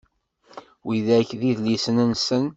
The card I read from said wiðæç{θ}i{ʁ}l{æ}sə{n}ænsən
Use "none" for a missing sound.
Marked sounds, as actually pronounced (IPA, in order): ð, ð, i, n

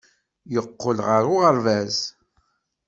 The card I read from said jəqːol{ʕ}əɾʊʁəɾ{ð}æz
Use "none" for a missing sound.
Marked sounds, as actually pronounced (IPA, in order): ʁ, v

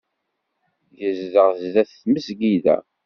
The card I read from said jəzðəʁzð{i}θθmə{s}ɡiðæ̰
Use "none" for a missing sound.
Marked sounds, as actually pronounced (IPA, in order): æ, s

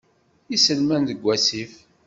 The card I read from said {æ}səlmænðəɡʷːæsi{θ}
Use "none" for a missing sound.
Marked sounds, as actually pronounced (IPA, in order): i, f

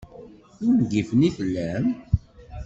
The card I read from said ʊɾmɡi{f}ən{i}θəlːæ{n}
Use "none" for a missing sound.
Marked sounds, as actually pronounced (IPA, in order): f, i, m

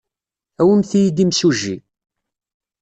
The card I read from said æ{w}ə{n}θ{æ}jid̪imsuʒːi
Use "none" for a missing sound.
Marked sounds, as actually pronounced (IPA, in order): w, m, i

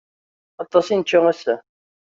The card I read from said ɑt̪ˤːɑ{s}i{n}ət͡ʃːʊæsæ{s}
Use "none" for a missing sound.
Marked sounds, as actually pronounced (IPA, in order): s, n, none

